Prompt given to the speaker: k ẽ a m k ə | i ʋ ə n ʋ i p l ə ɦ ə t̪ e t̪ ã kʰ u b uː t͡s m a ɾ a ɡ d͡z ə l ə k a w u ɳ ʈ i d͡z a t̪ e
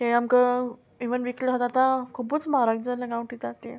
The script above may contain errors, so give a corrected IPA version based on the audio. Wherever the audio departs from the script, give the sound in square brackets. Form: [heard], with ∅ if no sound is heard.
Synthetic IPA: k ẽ a m k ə | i ʋ ə n ʋ i [k] l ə ɦ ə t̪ [a] t̪ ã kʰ u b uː t͡s m a ɾ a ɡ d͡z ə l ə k a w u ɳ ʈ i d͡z a t̪ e

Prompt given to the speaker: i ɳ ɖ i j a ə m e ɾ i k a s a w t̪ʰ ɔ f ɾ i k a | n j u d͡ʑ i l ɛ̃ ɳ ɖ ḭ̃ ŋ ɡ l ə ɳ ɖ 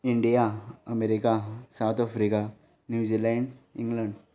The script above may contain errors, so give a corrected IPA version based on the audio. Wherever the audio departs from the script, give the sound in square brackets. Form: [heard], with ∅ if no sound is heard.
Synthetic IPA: i ɳ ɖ i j a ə m e ɾ i k a s a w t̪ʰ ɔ f ɾ i k a | n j u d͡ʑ i l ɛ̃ ɳ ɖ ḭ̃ ŋ ɡ l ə ɳ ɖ

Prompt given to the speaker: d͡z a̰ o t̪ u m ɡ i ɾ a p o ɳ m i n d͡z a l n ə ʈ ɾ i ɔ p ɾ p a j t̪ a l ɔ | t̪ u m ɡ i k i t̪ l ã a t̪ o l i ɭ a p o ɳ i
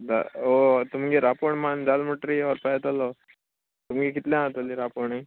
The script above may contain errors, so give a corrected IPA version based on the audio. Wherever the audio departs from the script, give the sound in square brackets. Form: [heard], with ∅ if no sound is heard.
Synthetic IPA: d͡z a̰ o t̪ u m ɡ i ɾ a p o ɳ m [a] n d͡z a l [m] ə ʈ ɾ i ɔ [∅] ɾ p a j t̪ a l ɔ | t̪ u m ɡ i k i t̪ l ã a t̪ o l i [ɾ] a p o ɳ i

